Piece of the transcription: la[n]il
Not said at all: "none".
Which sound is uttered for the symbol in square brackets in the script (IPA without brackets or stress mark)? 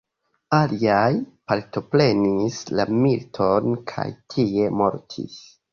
m